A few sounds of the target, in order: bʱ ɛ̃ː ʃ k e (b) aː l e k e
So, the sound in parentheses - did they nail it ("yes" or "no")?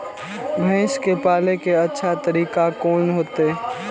no